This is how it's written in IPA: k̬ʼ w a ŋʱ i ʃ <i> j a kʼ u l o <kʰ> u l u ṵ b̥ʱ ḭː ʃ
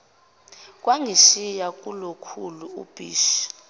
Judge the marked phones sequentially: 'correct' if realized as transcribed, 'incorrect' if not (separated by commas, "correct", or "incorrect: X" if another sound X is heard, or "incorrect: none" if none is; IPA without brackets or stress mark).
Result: correct, correct